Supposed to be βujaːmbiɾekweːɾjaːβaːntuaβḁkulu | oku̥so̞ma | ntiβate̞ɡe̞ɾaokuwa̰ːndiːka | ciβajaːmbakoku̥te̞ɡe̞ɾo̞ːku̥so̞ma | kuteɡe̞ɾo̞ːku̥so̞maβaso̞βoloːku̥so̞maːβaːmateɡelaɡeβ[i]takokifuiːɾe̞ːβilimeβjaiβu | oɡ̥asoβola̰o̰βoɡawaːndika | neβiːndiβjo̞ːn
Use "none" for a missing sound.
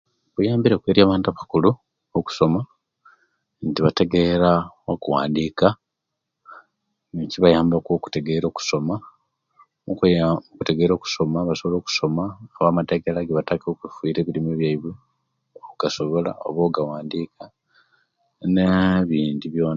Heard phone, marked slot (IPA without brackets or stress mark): a